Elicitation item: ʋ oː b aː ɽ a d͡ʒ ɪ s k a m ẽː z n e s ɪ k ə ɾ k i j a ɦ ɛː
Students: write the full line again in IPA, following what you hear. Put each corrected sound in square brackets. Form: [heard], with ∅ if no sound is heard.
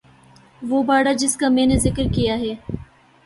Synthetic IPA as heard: ʋ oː b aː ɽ a d͡ʒ ɪ s k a m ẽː [∅] n e [z] ɪ k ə ɾ k i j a ɦ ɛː